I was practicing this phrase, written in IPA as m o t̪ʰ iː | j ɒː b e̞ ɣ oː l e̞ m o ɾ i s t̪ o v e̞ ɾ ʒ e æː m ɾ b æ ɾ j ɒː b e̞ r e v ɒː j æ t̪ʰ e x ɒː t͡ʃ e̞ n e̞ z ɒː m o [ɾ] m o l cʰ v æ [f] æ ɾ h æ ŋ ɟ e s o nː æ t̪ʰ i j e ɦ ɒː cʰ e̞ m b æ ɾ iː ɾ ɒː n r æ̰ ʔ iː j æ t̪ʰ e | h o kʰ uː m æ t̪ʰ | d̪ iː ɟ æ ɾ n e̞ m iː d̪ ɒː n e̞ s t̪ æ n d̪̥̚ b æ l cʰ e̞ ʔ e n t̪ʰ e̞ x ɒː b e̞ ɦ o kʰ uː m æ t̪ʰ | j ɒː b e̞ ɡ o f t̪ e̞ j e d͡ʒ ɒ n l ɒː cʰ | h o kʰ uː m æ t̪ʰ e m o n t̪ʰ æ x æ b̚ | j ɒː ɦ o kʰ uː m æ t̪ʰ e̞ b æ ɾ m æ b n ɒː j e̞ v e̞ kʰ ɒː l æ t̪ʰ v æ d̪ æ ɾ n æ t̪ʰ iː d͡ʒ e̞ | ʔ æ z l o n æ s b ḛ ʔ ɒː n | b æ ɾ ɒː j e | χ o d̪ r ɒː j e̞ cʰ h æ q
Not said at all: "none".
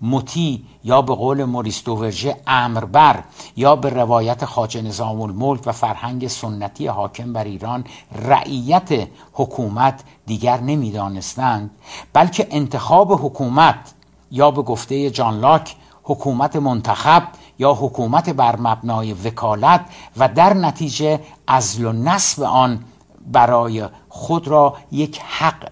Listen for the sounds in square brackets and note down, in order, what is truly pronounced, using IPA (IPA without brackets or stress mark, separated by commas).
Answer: l, f